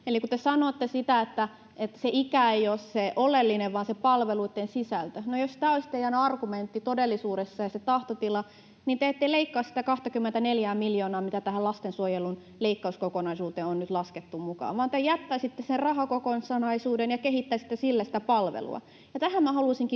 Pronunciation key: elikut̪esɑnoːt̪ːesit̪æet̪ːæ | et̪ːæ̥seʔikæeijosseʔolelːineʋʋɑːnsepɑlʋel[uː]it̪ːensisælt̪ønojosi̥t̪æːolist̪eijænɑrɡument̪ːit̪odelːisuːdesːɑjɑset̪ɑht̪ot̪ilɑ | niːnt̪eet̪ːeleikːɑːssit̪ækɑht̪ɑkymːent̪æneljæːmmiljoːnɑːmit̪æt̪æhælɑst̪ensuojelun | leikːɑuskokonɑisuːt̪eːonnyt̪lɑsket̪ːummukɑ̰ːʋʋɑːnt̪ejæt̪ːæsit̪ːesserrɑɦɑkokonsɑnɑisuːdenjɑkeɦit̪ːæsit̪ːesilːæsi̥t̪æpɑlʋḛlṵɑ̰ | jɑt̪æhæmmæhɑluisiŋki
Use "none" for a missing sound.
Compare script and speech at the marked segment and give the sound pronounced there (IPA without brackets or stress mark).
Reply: u